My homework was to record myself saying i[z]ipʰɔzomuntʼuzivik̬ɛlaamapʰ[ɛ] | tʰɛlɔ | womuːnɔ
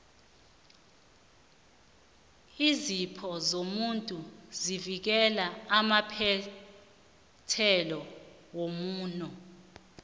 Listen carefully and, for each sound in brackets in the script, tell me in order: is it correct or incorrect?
correct, correct

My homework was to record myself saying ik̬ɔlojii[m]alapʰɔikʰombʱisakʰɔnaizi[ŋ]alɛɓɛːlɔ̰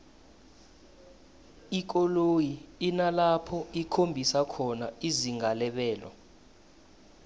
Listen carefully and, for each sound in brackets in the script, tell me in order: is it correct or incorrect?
incorrect: n, correct

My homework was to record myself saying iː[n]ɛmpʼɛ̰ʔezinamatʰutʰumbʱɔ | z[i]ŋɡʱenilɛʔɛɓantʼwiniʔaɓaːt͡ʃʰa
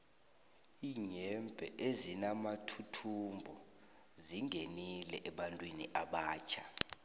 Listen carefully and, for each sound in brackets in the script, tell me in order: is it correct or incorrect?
incorrect: ɲ, correct

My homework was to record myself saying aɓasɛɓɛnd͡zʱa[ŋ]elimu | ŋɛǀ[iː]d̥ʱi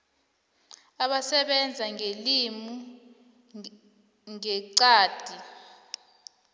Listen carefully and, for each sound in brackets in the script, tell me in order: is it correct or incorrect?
correct, incorrect: aː

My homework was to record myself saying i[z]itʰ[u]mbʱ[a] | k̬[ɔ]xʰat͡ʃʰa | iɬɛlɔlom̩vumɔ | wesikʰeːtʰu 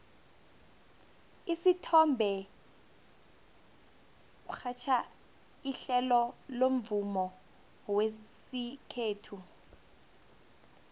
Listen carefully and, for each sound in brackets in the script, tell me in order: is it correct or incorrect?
incorrect: s, incorrect: ɔ, incorrect: ɛ, incorrect: u

